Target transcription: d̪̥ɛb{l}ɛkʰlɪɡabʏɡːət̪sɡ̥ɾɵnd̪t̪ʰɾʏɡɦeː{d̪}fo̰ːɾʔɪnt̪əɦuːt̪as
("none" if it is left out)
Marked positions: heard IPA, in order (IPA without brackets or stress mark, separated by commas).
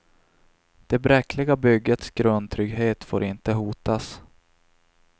ɾ, t̪